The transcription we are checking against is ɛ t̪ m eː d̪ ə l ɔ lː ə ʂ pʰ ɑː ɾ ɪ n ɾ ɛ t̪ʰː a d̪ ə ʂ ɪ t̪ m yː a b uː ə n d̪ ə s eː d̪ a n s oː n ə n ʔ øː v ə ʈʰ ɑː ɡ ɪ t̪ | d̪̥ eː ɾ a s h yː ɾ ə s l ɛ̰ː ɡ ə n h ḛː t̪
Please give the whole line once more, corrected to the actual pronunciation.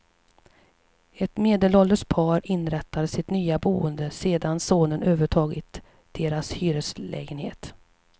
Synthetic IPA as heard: ɛ t̪ m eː d̪ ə l ɔ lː ə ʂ pʰ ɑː ɾ ɪ n ɾ ɛ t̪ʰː a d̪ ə s ɪ t̪ n yː a b uː ə n d̪ ə s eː d̪ a n s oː n ə n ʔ øː v ə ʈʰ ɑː ɡ ɪ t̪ | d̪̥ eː ɾ a s h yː ɾ ə s l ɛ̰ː ɡ ə n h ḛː t̪